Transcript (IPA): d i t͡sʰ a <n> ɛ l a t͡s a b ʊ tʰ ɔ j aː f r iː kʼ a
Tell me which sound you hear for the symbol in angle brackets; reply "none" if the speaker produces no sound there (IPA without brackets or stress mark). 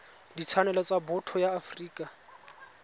n